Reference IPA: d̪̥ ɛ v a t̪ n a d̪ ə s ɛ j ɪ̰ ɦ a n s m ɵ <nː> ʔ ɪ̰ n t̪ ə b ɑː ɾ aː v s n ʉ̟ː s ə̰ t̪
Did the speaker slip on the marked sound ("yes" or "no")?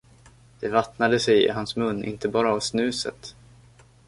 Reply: no